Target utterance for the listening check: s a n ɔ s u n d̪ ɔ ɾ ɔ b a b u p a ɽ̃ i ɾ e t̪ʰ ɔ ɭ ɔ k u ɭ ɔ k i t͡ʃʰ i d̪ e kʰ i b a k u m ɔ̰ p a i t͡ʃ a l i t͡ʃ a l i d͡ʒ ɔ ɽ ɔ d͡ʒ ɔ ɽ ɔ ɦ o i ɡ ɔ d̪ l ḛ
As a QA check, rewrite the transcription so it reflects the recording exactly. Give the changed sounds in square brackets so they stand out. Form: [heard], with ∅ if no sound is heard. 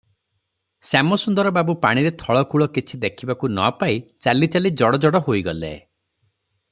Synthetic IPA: s a [m] ɔ s u n d̪ ɔ ɾ ɔ b a b u p a ɽ̃ i ɾ e t̪ʰ ɔ ɭ ɔ k u ɭ ɔ k i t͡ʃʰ i d̪ e kʰ i b a k u [n] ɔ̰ p a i t͡ʃ a l i t͡ʃ a l i d͡ʒ ɔ ɽ ɔ d͡ʒ ɔ ɽ ɔ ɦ o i ɡ ɔ [∅] l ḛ